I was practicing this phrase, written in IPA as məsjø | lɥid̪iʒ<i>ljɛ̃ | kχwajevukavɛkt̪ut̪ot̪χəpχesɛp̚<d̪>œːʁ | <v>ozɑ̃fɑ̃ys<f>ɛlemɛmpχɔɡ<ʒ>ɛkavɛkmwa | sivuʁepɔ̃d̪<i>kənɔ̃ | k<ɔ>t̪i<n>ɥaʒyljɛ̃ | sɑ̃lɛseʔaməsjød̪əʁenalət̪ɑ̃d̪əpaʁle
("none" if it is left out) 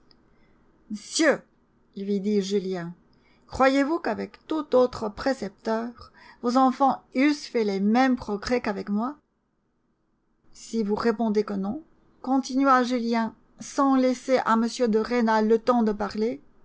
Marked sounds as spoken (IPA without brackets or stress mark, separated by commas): y, t̪, v, f, ʁ, e, ɔ̃, n